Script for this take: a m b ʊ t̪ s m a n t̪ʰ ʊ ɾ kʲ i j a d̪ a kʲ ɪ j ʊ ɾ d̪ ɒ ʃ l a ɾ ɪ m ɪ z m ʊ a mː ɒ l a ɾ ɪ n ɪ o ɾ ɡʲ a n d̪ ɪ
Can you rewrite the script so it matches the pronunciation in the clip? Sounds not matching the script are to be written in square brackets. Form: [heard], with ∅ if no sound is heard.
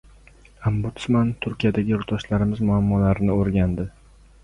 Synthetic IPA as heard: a m b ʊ t̪ s m a n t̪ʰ ʊ ɾ kʲ i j a d̪ a [ɡʲ] ɪ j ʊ ɾ [t̪] ɒ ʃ l a ɾ ɪ m ɪ z m ʊ a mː ɒ l a ɾ ɪ n ɪ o ɾ ɡʲ a n d̪ ɪ